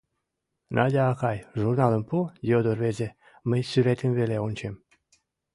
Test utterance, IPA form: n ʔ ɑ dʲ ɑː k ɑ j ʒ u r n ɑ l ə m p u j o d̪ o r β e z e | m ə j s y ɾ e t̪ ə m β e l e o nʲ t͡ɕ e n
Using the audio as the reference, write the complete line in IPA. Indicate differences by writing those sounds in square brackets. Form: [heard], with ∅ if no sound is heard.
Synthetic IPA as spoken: n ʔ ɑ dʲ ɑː k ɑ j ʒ u r n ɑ l ə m p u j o d̪ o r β e z e | m ə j s y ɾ e t̪ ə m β e l e o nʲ t͡ɕ e [m]